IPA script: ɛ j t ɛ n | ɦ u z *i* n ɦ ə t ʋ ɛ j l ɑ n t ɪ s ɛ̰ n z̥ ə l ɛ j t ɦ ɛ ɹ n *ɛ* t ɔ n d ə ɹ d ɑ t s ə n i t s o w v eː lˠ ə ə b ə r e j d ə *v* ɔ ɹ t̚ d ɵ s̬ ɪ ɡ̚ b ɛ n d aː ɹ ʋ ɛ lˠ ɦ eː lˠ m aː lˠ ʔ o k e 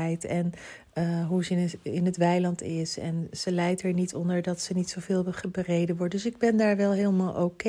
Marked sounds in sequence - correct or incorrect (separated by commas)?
incorrect, incorrect, incorrect